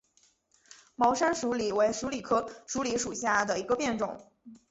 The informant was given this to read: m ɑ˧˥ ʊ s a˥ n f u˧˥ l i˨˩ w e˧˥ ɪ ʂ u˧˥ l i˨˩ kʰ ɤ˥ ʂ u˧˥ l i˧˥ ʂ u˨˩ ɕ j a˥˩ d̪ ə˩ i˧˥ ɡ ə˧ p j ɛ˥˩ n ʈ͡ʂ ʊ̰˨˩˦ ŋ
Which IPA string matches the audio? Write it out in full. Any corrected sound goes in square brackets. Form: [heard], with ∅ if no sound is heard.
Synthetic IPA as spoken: m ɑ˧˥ ʊ [ʂ] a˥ n [ʂ] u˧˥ l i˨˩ w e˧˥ ɪ ʂ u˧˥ l i˨˩ kʰ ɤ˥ ʂ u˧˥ l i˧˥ ʂ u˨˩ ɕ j a˥˩ d̪ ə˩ i˧˥ ɡ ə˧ p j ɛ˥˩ n ʈ͡ʂ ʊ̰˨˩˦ ŋ